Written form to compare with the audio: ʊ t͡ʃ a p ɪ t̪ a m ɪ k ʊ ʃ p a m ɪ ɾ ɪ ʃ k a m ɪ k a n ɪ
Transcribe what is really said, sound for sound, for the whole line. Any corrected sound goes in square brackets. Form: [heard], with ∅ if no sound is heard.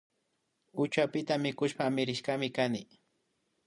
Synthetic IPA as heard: ʊ t͡ʃ a p ɪ t̪ a m ɪ k ʊ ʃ p a m ɪ ɾ ɪ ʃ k a m ɪ k a n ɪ